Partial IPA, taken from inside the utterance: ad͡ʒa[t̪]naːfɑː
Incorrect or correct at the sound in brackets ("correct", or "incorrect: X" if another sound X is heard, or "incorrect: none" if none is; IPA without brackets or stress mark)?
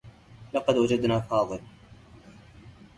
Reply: incorrect: d̪